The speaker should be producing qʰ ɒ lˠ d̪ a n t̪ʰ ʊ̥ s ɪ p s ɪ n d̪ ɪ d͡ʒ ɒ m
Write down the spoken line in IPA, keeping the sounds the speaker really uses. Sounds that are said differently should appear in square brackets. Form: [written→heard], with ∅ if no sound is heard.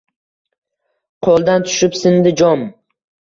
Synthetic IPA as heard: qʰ [ɒ→o] lˠ d̪ a n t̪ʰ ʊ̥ [s→ʃ] ɪ p s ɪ n d̪ ɪ d͡ʒ ɒ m